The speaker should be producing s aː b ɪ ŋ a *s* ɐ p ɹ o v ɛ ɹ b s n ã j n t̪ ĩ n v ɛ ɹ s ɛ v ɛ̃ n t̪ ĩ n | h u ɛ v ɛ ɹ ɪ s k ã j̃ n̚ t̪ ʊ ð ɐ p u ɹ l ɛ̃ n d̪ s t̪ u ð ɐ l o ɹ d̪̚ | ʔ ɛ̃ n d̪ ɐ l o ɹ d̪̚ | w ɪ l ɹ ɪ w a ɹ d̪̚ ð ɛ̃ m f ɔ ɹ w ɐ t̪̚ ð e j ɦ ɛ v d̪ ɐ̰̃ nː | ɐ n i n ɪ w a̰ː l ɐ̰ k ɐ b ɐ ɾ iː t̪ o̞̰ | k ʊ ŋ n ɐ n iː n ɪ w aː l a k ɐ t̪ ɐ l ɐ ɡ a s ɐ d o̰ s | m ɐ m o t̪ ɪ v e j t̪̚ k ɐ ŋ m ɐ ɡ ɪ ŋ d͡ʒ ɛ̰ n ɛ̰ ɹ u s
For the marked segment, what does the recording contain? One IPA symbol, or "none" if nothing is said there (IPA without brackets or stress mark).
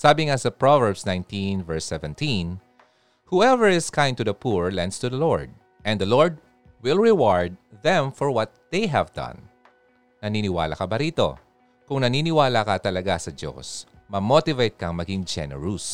s